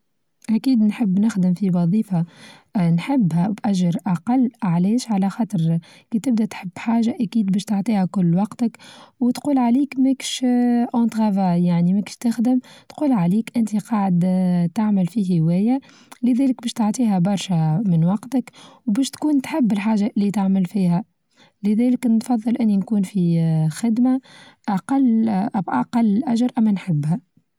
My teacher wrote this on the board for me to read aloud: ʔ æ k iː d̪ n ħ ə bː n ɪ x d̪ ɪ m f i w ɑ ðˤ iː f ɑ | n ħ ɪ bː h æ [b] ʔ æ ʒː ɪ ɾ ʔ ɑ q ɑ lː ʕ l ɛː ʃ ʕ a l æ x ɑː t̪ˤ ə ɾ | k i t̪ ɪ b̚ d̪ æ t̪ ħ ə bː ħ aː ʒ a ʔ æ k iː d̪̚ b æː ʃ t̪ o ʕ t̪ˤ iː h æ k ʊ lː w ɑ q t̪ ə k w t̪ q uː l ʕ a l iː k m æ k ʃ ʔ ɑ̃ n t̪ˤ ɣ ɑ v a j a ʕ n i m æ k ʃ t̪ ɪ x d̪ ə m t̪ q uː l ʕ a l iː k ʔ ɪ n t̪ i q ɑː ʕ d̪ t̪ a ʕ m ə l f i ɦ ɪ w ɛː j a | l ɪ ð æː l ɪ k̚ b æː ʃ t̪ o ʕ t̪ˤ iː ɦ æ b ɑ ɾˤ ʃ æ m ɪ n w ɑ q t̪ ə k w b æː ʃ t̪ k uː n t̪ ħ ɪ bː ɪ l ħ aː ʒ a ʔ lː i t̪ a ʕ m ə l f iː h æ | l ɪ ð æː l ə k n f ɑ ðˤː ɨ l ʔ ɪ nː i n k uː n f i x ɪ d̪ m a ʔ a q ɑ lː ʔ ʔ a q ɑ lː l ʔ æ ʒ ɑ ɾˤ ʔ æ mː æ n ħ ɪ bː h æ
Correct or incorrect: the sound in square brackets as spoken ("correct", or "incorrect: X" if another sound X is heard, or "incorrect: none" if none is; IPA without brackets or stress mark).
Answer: correct